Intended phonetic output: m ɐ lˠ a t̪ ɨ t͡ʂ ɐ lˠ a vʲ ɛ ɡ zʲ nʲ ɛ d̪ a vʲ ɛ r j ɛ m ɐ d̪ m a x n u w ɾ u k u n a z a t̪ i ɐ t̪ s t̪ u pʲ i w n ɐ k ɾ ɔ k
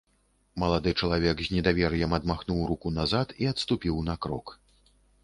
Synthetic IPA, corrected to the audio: m ɐ lˠ a d̪ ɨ t͡ʂ ɐ lˠ a vʲ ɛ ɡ zʲ nʲ ɛ d̪ a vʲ ɛ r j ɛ m ɐ d̪ m a x n u w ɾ u k u n a z a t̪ i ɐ t̪ s t̪ u pʲ i w n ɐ k ɾ ɔ k